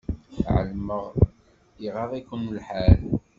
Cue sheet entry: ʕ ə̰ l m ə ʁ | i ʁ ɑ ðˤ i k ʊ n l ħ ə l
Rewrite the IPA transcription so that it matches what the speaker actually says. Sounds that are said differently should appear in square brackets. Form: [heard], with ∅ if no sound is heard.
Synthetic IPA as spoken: ʕ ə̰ l m ə ʁ | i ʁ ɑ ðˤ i k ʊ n l ħ [a] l